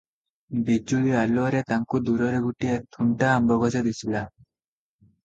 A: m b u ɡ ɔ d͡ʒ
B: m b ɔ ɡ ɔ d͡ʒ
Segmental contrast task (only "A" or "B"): B